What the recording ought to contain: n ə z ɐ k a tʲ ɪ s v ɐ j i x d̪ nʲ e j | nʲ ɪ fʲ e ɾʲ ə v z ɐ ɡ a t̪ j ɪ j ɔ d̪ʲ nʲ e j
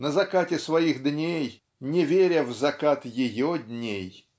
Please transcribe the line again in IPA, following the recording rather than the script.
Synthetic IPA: n ə z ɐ k a tʲ ɪ s v ɐ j i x d̪ nʲ e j | nʲ ɪ vʲ e ɾʲ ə v z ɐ k a t̪ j ɪ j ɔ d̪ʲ nʲ e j